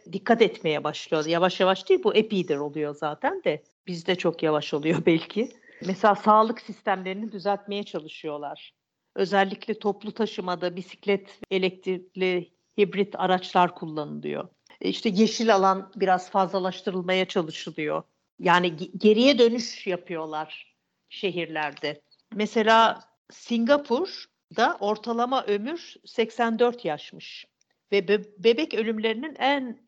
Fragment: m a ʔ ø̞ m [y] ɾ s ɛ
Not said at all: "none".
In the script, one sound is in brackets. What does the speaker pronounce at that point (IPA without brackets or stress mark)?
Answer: y